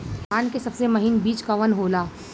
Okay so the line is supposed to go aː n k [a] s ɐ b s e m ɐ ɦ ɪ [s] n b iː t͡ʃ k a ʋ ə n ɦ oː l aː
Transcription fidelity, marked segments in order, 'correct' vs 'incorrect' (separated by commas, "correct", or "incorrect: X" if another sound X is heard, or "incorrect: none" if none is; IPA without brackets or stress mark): incorrect: e, incorrect: none